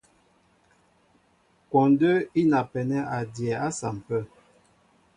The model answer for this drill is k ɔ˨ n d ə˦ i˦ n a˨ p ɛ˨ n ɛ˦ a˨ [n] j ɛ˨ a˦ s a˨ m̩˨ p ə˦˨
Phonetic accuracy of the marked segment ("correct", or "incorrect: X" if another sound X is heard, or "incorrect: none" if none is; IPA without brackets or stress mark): incorrect: d